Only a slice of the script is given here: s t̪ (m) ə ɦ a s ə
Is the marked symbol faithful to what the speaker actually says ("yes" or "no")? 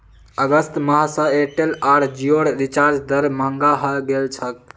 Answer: yes